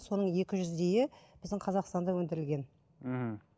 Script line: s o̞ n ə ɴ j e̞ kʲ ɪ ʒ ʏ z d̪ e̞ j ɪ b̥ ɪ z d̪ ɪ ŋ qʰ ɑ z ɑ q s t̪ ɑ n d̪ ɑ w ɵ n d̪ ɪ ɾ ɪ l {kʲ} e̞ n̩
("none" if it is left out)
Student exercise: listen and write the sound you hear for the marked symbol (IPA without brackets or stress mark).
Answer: ɡʲ